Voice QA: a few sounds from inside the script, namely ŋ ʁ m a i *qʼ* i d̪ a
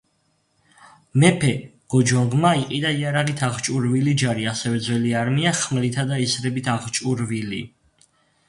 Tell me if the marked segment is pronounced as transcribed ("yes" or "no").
yes